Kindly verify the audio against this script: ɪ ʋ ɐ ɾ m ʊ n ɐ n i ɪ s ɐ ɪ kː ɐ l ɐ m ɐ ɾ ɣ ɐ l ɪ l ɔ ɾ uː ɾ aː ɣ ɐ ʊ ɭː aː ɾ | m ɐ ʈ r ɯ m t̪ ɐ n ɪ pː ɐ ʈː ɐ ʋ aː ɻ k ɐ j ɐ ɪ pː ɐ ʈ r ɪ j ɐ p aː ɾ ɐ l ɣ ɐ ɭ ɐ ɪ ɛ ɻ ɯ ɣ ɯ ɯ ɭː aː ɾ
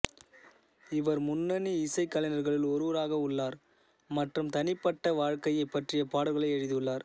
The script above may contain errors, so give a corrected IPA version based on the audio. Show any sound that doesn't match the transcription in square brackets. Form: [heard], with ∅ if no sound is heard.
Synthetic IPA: ɪ ʋ ɐ ɾ m ʊ [nː] ɐ n i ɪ s ɐ ɪ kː ɐ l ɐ [n] ɐ ɾ ɣ ɐ [ɭ] ɪ l ɔ ɾ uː ɾ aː ɣ ɐ ʊ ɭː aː ɾ | m ɐ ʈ r ɯ m t̪ ɐ n ɪ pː ɐ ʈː ɐ ʋ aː ɻ k ɐ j ɐ ɪ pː ɐ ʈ r ɪ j ɐ p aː [ɽ] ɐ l ɣ ɐ ɭ ɐ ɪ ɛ ɻ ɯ [ð] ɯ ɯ ɭː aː ɾ